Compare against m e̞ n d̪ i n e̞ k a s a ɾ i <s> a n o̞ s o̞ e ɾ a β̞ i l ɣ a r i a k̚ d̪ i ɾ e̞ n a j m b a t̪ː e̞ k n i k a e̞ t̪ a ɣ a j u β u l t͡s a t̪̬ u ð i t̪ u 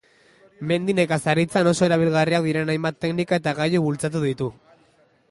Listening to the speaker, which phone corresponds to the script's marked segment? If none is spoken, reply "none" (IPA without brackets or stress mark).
t͡s